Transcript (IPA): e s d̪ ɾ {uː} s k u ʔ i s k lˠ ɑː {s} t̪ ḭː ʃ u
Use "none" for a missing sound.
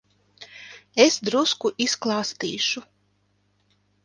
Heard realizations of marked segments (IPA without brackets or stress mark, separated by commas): u, s